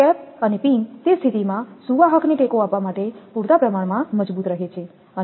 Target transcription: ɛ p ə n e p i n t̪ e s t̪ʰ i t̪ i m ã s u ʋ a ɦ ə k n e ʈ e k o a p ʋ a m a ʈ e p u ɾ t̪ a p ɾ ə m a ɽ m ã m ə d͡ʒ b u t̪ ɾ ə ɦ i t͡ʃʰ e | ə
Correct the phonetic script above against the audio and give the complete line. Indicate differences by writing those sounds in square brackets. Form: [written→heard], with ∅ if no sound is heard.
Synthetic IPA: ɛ p ə n e p i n t̪ e s t̪ʰ i t̪ i m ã s u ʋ a ɦ ə k n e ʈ e k o a p ʋ a m a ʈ e p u ɾ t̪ a p ɾ ə m a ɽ m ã m ə d͡ʒ b u t̪ ɾ ə ɦ [i→e] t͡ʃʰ e | ə